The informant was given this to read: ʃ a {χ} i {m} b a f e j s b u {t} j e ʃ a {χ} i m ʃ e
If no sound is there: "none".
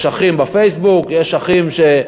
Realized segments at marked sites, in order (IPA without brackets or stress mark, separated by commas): χ, m, k, χ